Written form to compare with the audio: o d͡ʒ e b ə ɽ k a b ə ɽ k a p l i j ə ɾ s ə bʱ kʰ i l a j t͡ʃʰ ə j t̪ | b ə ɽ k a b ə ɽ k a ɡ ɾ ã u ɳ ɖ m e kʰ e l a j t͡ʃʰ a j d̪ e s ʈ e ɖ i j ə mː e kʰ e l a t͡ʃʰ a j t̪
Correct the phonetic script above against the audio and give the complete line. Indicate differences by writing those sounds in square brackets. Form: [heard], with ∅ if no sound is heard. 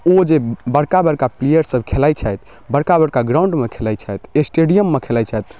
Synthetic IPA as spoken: o d͡ʒ e b ə ɽ k a b ə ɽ k a p l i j ə ɾ s ə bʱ kʰ [e] l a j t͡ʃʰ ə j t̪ | b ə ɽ k a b ə ɽ k a ɡ ɾ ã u ɳ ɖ m e kʰ e l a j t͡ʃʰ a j [t̪] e s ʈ e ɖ i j ə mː e kʰ e l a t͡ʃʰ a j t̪